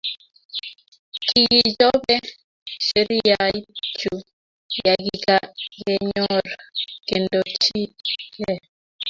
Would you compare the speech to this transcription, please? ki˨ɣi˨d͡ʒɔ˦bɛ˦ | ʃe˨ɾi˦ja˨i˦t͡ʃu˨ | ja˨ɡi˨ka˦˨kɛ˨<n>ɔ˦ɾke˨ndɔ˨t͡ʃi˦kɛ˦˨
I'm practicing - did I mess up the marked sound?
yes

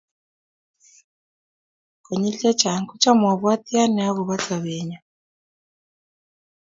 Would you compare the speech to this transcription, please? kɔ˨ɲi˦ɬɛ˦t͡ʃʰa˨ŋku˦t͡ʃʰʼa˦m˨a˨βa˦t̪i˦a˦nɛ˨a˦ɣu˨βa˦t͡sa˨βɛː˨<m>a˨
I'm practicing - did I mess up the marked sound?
yes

